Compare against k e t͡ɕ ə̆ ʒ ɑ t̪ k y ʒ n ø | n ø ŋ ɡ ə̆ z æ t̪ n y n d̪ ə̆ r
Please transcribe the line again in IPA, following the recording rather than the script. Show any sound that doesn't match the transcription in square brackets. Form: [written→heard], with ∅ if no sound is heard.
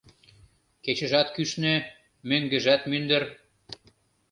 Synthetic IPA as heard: k e t͡ɕ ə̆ ʒ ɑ t̪ k y [ʒ→ʃ] n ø | [n→m] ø ŋ ɡ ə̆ [z→ʒ] æ t̪ [n→m] y n d̪ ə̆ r